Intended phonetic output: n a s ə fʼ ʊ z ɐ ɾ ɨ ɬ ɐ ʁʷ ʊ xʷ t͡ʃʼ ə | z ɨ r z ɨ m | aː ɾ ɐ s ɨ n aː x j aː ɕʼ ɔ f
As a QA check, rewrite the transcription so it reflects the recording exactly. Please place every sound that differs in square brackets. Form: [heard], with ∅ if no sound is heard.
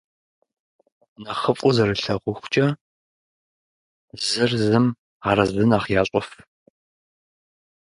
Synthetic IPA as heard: n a [χ] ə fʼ ʊ z ɐ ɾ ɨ ɬ ɐ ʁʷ ʊ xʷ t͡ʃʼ [ɐ] | z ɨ r z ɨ m | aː ɾ ɐ [z] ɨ n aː [χ] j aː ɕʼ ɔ f